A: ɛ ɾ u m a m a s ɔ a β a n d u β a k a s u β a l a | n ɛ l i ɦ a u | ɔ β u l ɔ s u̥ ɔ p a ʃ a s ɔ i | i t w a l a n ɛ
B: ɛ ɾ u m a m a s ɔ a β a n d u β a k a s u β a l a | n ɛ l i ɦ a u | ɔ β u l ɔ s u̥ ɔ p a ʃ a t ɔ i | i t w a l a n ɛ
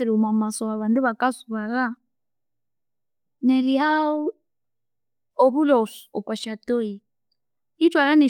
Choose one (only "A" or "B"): B